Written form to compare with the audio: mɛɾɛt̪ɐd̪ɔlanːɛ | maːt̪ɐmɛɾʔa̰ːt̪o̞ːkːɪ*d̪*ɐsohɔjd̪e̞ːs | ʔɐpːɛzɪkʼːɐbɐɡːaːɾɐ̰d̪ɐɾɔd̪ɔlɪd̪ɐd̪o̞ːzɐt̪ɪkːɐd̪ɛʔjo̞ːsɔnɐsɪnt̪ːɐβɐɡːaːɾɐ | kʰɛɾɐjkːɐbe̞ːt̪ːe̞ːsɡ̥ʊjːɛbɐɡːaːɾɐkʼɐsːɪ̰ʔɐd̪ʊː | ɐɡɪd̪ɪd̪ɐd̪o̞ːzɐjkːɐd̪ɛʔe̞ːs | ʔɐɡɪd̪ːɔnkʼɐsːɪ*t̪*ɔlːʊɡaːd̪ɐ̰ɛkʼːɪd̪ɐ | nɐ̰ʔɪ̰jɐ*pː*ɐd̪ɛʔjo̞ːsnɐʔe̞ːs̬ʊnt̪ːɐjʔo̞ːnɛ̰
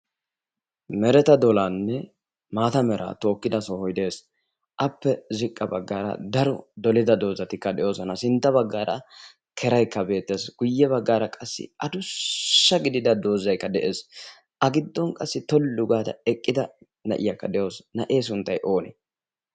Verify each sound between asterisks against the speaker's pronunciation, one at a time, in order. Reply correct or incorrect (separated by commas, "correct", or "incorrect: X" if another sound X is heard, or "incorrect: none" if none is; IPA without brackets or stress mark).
correct, correct, incorrect: kː